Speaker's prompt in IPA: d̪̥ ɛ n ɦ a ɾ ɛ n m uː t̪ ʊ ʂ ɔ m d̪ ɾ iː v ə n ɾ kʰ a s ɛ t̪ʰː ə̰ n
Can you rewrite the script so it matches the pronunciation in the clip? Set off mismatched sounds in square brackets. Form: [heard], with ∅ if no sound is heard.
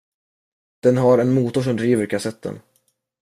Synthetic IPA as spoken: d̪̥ ɛ n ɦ a ɾ ɛ n m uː t̪ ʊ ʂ ɔ m d̪ ɾ iː v ə [∅] ɾ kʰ a s ɛ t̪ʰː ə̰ n

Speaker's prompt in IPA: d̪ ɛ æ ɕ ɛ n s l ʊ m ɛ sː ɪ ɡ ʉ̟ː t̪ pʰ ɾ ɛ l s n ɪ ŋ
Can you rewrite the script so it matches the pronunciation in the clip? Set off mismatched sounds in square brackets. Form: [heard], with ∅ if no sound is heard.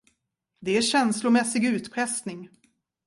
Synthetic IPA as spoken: d̪ ɛ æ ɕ ɛ n s l ʊ m ɛ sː ɪ ɡ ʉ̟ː t̪ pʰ ɾ ɛ [∅] s n ɪ ŋ

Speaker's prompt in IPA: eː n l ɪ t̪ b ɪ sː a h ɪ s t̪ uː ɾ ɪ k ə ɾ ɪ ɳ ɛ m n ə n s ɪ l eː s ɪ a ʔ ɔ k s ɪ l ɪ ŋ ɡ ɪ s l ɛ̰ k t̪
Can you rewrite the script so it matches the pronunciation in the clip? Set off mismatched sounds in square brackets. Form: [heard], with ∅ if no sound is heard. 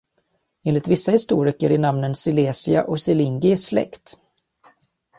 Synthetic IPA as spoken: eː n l ɪ t̪ [v] ɪ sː a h ɪ s t̪ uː ɾ ɪ k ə ɾ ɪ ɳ [a] m n ə n s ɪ l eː s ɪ a ʔ ɔ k s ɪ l ɪ ŋ ɡ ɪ s l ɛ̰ k t̪

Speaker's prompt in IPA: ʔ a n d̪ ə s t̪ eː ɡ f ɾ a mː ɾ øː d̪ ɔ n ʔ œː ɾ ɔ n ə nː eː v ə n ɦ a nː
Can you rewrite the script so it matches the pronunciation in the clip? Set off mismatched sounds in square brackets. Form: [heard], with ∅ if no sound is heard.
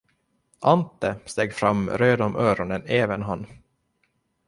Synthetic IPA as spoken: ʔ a n [t̪] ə s t̪ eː ɡ f ɾ a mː ɾ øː d̪ ɔ [m] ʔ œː ɾ ɔ n ə [n] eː v ə n ɦ a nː

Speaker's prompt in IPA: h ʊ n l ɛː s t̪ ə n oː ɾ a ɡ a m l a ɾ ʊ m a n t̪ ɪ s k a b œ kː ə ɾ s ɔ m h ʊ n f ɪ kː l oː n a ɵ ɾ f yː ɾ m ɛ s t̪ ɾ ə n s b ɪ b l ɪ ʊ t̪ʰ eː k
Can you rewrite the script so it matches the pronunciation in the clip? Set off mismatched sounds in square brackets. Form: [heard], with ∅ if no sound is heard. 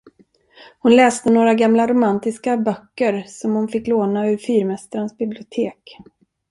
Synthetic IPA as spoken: h ʊ n l ɛː s t̪ ə n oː ɾ a ɡ a m l a ɾ ʊ m a n t̪ ɪ s k a b œ kː ə ɾ s ɔ m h ʊ n f ɪ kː l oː n a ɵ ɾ f yː ɾ m ɛ s t̪ ɾ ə n s b ɪ b l ɪ ʊ t̪ʰ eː k

